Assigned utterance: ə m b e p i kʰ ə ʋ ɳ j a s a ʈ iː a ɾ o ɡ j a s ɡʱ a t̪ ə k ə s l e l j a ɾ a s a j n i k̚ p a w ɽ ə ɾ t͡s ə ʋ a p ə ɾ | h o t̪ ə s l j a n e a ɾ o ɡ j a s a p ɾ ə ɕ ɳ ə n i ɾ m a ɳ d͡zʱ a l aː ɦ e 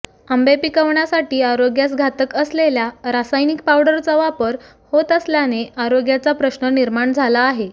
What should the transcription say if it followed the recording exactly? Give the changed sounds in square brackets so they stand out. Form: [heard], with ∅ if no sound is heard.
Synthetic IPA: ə m b e p i [k] ə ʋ ɳ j a s a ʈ iː a ɾ o ɡ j a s ɡʱ a t̪ ə k ə s l e l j a ɾ a s a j n i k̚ p a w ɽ ə ɾ t͡s ə ʋ a p ə ɾ | h o t̪ ə s l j a n e a ɾ o ɡ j a [t͡s] a p ɾ ə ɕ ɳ ə n i ɾ m a ɳ d͡zʱ a l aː ɦ e